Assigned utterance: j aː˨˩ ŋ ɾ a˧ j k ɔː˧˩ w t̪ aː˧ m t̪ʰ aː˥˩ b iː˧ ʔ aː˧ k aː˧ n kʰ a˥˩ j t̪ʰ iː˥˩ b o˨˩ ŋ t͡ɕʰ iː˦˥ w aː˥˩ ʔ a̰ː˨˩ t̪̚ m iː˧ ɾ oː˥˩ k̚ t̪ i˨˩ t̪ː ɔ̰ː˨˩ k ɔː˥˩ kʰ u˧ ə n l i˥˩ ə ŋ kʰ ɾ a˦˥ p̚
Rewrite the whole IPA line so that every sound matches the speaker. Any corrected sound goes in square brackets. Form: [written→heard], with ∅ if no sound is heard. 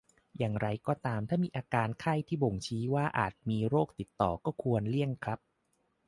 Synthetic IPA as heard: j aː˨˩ ŋ ɾ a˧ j k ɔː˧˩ [w→∅] t̪ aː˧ m t̪ʰ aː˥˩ [b→m] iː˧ ʔ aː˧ k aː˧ n kʰ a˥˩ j t̪ʰ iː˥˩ b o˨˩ ŋ t͡ɕʰ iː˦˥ w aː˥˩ ʔ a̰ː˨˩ t̪̚ m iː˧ ɾ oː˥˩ k̚ t̪ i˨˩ t̪ː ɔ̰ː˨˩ k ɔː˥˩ kʰ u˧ ə n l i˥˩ ə ŋ kʰ ɾ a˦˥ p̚